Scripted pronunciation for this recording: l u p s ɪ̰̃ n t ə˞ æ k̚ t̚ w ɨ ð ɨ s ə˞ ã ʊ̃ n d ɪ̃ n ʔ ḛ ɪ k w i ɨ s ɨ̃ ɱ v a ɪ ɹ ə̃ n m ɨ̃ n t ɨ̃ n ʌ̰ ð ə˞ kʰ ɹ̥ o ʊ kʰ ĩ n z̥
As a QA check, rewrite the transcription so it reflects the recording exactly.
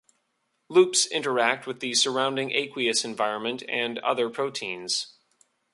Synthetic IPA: l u p s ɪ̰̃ n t ə˞ æ k̚ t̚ w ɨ ð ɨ s ə˞ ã ʊ̃ n d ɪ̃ ŋ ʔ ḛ ɪ k w i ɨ s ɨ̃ ɱ v a ɪ ɹ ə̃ n m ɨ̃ n t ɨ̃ n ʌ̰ ð ə˞ pʰ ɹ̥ o ʊ tʰ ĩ n z̥